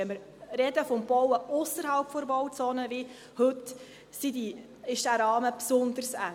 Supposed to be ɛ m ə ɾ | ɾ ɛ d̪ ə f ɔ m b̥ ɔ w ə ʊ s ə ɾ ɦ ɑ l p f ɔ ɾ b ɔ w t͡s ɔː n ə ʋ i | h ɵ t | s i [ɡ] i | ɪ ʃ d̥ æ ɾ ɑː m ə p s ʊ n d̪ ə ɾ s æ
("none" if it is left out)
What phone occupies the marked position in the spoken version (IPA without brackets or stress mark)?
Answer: d